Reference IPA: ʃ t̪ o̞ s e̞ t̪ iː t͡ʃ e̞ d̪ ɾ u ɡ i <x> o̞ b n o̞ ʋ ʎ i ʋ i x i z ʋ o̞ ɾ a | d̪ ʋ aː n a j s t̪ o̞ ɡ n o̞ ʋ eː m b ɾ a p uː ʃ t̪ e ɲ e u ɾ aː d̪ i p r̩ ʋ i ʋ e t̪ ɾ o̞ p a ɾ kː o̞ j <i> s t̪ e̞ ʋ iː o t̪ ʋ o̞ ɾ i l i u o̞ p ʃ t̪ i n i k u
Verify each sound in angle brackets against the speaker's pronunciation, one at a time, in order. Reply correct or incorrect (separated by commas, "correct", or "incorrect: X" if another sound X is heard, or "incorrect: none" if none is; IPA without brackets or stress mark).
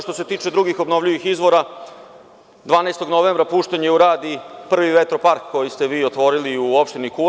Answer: correct, correct